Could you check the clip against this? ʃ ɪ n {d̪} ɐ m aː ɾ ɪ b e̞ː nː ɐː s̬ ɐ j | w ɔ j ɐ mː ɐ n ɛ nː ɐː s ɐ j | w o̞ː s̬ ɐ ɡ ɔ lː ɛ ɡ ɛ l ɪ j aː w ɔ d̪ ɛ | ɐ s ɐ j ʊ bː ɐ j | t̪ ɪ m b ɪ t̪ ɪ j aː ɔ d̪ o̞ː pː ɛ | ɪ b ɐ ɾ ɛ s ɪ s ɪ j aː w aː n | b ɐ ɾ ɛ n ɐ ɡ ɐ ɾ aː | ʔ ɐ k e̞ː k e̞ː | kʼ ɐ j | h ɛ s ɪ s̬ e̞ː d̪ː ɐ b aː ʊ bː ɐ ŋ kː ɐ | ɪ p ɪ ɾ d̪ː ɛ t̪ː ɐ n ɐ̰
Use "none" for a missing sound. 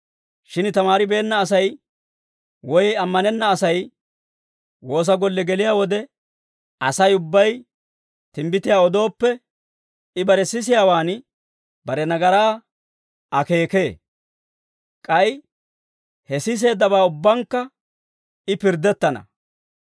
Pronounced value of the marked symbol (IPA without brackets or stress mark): t̪